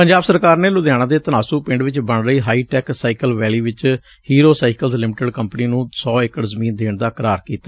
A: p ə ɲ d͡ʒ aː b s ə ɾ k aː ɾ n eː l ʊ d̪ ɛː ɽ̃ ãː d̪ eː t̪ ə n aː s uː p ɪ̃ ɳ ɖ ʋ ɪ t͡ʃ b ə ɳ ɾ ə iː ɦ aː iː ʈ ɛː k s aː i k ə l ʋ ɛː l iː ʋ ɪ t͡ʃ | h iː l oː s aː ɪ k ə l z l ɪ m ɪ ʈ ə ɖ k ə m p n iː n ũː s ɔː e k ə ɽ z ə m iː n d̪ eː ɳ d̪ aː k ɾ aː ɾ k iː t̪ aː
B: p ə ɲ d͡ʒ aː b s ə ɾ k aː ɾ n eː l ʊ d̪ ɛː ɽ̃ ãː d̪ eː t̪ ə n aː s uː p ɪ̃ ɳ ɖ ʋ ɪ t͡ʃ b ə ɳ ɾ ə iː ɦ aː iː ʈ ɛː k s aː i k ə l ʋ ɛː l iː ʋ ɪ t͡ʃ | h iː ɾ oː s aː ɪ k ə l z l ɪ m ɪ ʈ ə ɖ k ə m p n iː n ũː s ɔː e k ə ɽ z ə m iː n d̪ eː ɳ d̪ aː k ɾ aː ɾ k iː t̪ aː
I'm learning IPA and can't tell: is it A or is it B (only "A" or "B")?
B